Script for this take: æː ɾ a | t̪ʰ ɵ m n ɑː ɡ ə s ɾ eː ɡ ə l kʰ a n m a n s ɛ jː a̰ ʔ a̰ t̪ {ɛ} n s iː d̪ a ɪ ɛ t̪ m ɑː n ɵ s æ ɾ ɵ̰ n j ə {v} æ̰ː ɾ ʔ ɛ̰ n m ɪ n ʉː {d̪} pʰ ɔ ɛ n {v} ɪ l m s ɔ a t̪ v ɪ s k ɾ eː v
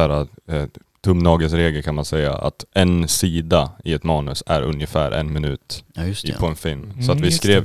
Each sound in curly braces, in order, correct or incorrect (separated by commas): correct, incorrect, incorrect, incorrect